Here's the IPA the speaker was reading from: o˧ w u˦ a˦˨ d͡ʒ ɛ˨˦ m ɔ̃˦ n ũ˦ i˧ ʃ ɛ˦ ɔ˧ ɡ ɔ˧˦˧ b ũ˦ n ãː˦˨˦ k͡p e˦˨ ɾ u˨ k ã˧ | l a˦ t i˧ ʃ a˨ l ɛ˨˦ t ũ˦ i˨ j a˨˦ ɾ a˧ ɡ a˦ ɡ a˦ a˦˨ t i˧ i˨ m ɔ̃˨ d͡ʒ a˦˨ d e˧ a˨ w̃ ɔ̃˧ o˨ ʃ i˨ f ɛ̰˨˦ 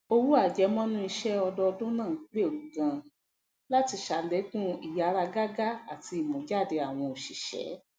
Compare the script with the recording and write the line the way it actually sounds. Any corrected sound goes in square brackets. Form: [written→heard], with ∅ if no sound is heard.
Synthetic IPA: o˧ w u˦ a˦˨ d͡ʒ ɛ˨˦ m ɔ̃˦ n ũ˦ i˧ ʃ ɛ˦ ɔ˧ [ɡ→d] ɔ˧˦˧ [b→d] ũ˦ n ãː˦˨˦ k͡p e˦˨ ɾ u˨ [k→ɡ] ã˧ | l a˦ t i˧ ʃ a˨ l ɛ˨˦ [t→k] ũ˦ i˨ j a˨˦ ɾ a˧ ɡ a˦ ɡ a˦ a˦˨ t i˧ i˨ m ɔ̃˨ d͡ʒ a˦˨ d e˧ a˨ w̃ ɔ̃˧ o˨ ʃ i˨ [f→ʃ] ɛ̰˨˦